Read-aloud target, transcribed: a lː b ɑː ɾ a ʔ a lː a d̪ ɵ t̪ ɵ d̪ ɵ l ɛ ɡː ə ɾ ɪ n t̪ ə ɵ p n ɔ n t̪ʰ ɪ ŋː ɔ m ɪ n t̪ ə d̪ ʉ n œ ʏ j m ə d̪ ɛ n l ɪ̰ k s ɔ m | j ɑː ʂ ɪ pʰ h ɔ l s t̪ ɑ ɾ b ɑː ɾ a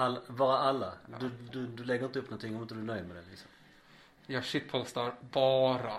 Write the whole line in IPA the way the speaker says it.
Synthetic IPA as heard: a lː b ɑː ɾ a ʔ a lː a d̪ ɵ d̪ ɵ d̪ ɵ l ɛ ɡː ə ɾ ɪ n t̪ ə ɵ p n ɔ n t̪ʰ ɪ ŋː ɔ m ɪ n t̪ ə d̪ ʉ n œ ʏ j m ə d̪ ɛ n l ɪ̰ k s ɔ m | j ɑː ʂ ɪ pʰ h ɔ l s t̪ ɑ ɾ b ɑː ɾ a